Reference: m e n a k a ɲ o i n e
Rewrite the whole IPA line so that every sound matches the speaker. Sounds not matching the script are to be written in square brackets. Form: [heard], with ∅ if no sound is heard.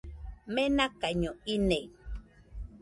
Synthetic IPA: m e n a k a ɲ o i n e